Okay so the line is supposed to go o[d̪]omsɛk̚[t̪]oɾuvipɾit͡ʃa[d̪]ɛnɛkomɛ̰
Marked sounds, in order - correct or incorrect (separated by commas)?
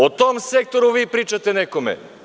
incorrect, correct, incorrect